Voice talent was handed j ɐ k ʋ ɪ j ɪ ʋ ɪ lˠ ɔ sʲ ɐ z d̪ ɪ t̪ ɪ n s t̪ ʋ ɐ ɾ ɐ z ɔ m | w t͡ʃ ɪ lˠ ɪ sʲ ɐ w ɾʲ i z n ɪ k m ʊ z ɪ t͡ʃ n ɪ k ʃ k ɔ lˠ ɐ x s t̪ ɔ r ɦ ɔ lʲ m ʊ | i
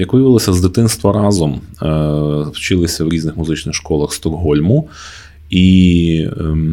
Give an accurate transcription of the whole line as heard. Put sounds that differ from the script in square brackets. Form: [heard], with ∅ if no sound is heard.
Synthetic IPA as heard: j ɐ k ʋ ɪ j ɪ ʋ ɪ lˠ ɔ sʲ ɐ z d̪ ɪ t̪ ɪ n s t̪ ʋ ɐ ɾ [ɑ] z ɔ m | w t͡ʃ ɪ lˠ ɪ sʲ ɐ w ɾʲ i z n ɪ [x] m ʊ z ɪ t͡ʃ n ɪ [x] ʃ k ɔ lˠ ɐ x s t̪ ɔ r ɦ ɔ lʲ m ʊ | i